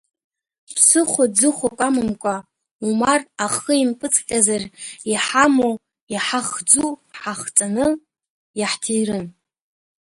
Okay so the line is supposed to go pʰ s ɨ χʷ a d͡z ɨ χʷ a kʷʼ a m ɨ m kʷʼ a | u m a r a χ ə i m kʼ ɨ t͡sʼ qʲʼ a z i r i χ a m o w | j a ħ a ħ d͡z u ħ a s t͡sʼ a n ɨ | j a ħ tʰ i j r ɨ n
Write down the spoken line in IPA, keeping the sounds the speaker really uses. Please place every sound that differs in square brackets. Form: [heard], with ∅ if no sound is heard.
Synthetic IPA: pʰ s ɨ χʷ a d͡z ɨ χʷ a kʷʼ a m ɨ m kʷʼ a | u m a r a χ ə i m [pʼ] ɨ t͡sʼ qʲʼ a z [a] r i [ħ] a m o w | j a ħ a [χ] d͡z u ħ a [χ] t͡sʼ a n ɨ | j a ħ tʰ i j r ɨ n

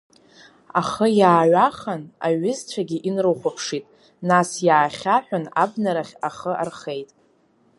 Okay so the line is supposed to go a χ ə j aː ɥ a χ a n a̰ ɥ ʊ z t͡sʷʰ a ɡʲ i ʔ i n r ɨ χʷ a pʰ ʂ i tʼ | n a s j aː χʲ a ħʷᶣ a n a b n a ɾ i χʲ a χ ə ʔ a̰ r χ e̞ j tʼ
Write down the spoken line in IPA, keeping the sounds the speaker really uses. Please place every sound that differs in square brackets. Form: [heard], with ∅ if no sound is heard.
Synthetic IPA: a χ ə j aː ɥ a χ a n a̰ ɥ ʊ z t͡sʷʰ a ɡʲ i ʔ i n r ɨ χʷ a pʰ ʂ i tʼ | n a s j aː χʲ a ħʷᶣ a n a b n a ɾ [a] χʲ a χ ə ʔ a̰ r χ e̞ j tʼ

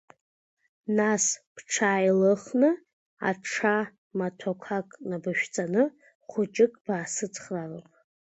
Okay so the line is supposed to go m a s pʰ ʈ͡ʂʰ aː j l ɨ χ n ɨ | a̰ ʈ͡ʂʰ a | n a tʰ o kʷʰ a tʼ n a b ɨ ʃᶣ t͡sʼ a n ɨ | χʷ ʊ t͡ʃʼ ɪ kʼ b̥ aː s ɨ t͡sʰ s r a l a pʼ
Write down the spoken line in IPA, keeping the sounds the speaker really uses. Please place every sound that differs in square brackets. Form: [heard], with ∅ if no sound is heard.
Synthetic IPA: [n] a s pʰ ʈ͡ʂʰ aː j l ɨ χ n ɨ | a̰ ʈ͡ʂʰ a | [m] a tʰ o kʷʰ a [kʼ] n a b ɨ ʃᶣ t͡sʼ a n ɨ | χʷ ʊ t͡ʃʼ ɪ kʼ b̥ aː s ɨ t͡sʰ [χ] r a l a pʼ

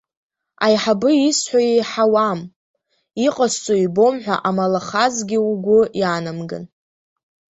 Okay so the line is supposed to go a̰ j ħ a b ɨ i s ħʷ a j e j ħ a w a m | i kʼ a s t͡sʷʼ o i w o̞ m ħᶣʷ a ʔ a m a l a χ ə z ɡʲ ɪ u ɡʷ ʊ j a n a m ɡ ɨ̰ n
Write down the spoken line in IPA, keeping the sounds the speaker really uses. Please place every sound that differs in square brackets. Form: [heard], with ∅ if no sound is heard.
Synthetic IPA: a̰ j ħ a b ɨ i s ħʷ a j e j ħ a w a m | i [qʼ] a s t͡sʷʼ o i [b] o̞ m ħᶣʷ a ʔ a m a l a χ [a] z ɡʲ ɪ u ɡʷ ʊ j a n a m ɡ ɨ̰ n

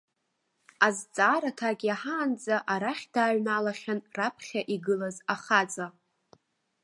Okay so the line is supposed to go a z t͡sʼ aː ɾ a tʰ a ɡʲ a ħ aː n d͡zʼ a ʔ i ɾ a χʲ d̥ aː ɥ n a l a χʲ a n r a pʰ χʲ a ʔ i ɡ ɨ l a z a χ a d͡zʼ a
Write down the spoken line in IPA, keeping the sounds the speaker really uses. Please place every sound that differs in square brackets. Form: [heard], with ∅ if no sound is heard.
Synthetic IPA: a z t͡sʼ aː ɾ a tʰ a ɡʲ a ħ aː n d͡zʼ a ʔ [a] ɾ a χʲ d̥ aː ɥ n a l a χʲ a n r a pʰ χʲ a ʔ i ɡ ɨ l a z a χ a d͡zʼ a

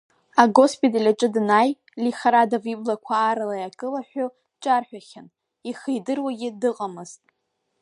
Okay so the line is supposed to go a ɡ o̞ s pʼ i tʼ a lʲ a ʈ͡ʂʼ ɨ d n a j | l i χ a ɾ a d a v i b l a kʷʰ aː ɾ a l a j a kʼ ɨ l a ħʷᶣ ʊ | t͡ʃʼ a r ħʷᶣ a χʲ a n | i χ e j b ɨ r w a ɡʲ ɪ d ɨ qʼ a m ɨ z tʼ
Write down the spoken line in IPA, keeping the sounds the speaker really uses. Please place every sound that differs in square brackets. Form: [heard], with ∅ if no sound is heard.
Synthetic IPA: a ɡ o̞ s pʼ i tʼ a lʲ a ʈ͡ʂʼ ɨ d n a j | l i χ a ɾ a d a v i b l a kʷʰ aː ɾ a l a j a kʼ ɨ l a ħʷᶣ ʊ | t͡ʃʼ a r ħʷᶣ a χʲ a n | i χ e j [d] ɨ r w a ɡʲ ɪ d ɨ qʼ a m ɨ z tʼ

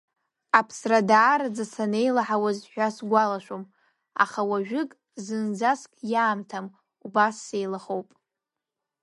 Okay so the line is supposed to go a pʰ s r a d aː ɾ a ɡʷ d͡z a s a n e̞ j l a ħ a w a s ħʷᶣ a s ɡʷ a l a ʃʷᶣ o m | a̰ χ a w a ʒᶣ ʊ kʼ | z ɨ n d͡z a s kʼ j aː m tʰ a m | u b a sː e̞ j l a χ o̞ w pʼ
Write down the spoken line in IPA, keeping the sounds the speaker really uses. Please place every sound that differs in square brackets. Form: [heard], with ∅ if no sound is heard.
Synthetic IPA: a pʰ s r a d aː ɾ a [∅] d͡z a s a n e̞ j l a ħ a w a [z] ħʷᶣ a s ɡʷ a l a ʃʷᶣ o m | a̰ χ a w a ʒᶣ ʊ kʼ | z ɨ n d͡z a s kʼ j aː m tʰ a m | u b a sː e̞ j l a χ o̞ w pʼ

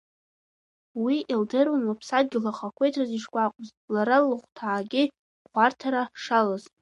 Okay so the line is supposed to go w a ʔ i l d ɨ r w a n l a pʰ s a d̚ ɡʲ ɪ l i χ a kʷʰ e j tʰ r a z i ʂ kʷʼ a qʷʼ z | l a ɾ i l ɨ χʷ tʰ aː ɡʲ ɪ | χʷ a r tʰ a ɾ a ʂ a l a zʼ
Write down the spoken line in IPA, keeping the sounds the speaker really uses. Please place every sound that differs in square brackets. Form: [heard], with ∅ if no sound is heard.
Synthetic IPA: w [i] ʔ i l d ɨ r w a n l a pʰ s a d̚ ɡʲ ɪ l [a] χ a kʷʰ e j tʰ r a z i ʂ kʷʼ a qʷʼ z | l a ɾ [a] l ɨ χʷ tʰ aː ɡʲ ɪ | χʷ a r tʰ a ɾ a ʂ a l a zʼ

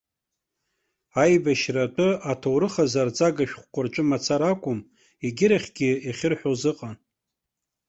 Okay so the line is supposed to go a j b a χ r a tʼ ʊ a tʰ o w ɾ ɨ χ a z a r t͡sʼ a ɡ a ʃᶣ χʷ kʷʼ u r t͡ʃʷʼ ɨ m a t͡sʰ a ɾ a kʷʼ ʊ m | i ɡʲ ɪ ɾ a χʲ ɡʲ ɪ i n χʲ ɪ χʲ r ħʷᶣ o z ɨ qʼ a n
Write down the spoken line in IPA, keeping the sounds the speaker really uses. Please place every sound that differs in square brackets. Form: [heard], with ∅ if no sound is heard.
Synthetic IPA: a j b a [ʃ] r a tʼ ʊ a tʰ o w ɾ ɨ χ a z a r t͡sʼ a ɡ a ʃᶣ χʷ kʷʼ [ʊ] r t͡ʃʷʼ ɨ m a t͡sʰ a ɾ a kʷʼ ʊ m | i ɡʲ ɪ ɾ a χʲ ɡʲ ɪ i [∅] χʲ ɪ [∅] r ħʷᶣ o z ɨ qʼ a n

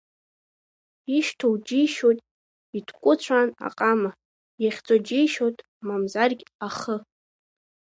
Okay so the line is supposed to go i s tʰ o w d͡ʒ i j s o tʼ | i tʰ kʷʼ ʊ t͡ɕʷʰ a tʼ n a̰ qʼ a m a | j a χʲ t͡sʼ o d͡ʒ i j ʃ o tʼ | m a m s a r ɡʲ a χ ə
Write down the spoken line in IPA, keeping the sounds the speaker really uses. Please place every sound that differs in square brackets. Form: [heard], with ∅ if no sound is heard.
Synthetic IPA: i [ʃ] tʰ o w d͡ʒ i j [ʃ] o tʼ | i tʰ kʷʼ ʊ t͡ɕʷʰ a [∅] n a̰ qʼ a m a | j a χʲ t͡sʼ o d͡ʒ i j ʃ o tʼ | m a m [z] a r ɡʲ a χ ə

